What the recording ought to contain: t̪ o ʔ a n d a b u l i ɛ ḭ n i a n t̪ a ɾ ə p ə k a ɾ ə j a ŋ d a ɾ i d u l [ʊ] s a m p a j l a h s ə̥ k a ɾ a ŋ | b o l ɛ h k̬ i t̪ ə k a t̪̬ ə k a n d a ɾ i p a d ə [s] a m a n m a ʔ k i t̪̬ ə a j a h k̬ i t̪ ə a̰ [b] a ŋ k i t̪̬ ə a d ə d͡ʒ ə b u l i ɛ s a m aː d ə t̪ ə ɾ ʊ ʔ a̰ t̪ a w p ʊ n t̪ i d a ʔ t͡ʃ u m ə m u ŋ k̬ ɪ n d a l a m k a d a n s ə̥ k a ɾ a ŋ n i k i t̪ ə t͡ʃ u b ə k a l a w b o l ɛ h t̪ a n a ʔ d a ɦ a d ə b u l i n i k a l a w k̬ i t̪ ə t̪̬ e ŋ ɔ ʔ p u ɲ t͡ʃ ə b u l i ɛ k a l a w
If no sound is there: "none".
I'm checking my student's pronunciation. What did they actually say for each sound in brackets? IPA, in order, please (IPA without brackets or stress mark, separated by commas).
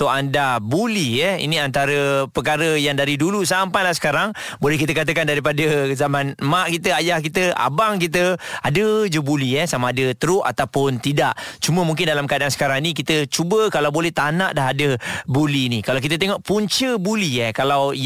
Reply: u, z, b